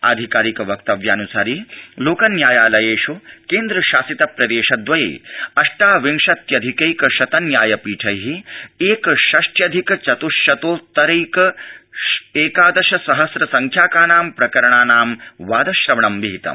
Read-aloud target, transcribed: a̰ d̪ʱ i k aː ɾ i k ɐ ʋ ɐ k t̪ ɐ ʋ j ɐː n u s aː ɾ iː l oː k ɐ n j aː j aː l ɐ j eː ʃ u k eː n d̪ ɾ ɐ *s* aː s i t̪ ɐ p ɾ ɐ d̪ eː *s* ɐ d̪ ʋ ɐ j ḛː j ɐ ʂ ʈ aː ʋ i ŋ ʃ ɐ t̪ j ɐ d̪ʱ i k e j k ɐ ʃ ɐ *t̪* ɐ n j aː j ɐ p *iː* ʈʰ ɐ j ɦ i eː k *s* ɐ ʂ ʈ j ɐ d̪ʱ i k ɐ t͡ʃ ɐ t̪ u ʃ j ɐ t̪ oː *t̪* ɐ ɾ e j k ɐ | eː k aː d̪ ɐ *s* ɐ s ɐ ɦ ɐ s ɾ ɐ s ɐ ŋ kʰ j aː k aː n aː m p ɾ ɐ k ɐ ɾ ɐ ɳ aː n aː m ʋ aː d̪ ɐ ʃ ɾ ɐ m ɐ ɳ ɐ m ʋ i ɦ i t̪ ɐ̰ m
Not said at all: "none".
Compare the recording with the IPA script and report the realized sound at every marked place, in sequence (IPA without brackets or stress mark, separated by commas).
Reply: ʃ, ʃ, t̪, iː, ʃ, t̪, ʃ